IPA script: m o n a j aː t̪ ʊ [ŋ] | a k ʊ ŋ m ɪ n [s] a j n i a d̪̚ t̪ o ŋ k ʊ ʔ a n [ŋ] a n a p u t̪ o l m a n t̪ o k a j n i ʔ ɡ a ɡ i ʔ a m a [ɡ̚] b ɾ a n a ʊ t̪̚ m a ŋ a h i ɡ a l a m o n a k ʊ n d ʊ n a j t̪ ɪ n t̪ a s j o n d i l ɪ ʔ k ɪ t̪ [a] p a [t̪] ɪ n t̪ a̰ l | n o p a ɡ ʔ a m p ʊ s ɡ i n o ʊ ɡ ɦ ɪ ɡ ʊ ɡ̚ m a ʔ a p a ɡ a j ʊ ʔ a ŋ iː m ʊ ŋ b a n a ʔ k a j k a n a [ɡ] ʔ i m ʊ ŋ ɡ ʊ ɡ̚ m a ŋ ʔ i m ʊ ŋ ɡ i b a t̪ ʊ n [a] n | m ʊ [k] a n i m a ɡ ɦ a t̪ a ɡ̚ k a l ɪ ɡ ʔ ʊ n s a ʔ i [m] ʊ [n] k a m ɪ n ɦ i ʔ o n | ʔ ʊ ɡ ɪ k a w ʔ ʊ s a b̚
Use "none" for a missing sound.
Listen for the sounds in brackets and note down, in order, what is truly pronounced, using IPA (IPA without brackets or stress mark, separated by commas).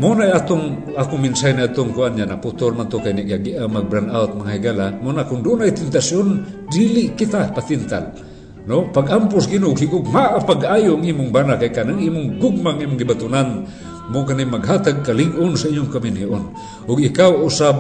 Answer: ŋ, s, ɲ, ɡ̚, a, t̪, ŋ, a, k, ɲ, ŋ